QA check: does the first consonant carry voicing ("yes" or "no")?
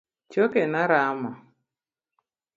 no